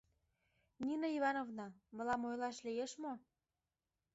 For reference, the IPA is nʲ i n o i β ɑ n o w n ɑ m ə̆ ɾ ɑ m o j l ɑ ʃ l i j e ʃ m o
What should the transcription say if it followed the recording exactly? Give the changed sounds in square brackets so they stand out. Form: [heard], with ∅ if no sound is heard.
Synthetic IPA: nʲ i n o i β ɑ n o [v] n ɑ m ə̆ [l] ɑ m o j l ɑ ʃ l i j e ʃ m o